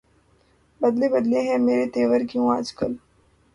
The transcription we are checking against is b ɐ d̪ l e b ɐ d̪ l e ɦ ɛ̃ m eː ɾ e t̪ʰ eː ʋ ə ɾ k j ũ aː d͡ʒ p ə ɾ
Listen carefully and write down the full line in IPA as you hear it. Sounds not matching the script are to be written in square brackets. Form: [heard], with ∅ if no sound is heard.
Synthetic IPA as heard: b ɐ d̪ l e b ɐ d̪ l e ɦ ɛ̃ m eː ɾ e [t̪] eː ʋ ə ɾ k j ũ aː d͡ʒ [k] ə [l]